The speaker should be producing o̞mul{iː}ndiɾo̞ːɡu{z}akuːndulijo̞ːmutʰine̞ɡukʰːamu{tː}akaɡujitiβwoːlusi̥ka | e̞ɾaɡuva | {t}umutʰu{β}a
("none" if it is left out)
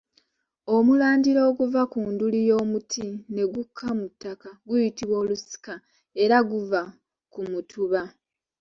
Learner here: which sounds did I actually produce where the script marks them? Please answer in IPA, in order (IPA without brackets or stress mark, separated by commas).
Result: aː, v, tː, k, β